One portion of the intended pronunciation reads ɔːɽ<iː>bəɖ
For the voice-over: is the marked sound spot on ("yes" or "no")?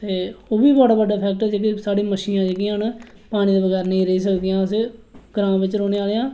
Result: no